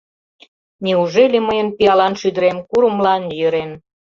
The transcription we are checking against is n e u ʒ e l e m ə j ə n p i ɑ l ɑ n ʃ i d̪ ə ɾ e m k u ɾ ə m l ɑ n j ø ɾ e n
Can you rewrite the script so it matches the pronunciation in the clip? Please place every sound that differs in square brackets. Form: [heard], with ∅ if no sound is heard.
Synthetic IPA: n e u ʒ e l e m ə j ə n p i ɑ l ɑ n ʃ [y] d̪ ə ɾ e m k u ɾ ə m l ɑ n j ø ɾ e n